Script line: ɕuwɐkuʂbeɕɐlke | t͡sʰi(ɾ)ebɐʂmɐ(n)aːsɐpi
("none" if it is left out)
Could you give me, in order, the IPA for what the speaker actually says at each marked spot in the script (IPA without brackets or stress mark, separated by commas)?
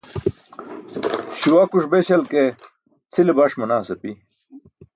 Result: l, n